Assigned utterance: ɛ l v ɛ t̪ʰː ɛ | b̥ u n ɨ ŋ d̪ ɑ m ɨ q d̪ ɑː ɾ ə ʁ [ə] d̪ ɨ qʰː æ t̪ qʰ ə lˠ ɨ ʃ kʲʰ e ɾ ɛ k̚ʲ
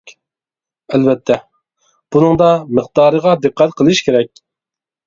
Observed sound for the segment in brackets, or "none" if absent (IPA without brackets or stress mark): ɑ